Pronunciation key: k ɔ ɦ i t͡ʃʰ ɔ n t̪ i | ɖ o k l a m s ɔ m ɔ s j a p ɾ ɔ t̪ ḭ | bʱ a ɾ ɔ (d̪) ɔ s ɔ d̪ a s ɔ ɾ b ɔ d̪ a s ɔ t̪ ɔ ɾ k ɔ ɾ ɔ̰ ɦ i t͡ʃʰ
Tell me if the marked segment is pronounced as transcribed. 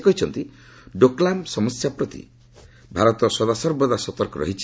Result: no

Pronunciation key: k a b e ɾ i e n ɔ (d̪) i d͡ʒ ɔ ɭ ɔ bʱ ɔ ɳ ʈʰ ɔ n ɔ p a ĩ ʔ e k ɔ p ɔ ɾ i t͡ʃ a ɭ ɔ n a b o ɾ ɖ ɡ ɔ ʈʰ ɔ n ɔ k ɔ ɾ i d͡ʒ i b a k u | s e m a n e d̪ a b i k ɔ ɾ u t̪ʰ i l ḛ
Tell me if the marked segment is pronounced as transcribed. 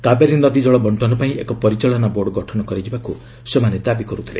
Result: yes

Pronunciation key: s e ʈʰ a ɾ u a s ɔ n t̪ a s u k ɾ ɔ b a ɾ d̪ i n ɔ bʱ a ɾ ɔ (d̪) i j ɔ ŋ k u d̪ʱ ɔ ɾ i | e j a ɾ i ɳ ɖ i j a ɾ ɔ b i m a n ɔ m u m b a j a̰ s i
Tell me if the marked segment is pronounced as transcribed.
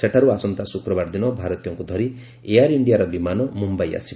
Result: no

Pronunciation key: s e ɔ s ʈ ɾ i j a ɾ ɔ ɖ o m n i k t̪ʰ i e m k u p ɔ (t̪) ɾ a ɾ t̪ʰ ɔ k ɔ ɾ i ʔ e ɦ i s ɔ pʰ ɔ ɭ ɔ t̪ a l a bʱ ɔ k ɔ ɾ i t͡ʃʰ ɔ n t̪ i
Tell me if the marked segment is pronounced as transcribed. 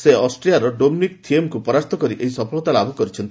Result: no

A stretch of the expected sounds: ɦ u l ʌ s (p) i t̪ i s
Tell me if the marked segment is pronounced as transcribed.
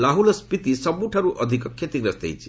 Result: yes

